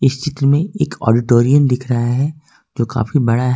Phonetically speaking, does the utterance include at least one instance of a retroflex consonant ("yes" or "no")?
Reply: yes